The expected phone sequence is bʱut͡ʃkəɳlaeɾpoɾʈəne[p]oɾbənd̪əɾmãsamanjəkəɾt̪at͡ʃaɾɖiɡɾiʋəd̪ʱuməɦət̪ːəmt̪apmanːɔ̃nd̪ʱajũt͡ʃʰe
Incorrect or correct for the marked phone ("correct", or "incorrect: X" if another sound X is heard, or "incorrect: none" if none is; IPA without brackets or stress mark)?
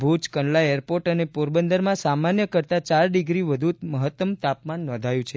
correct